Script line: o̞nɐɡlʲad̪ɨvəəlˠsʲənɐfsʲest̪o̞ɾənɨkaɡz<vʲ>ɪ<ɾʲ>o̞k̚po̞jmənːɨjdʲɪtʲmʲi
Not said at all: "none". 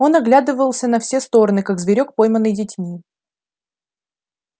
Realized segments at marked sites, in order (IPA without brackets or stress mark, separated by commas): vʲ, ɾʲ